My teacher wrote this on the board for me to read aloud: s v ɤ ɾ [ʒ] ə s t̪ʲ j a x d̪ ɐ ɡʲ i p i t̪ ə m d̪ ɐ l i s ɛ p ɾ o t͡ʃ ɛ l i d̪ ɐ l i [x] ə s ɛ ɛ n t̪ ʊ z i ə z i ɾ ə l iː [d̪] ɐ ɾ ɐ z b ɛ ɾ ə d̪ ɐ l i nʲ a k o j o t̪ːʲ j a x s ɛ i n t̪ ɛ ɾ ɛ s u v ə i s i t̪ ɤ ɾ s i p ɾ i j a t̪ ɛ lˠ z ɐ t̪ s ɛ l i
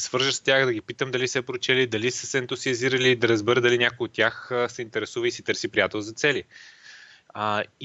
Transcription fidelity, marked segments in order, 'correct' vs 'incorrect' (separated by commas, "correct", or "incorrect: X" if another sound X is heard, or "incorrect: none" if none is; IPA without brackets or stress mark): correct, incorrect: s, correct